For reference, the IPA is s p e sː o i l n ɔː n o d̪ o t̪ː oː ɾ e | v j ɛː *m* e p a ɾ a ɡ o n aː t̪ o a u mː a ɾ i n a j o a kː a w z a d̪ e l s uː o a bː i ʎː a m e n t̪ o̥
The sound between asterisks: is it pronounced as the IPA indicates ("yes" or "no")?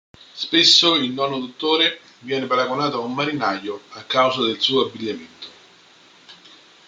no